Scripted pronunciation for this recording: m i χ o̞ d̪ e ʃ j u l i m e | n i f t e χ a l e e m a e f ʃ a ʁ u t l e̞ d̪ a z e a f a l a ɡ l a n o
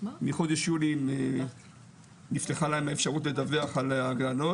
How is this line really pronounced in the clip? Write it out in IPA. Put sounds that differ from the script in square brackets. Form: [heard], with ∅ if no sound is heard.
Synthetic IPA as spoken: m i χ o̞ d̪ e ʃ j u l i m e | n i f t e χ a l [a] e m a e f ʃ a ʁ u t l e̞ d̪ a [v] e a [χ] a l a ɡ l a n o